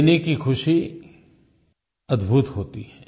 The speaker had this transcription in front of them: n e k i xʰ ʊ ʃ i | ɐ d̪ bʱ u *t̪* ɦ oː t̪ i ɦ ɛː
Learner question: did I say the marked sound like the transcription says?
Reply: yes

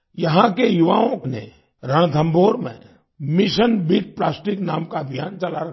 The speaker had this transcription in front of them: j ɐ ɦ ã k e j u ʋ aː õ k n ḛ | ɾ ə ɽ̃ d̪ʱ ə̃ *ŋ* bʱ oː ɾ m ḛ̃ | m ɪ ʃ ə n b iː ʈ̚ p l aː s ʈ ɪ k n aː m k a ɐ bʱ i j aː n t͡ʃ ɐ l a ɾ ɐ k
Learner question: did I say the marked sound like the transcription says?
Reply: no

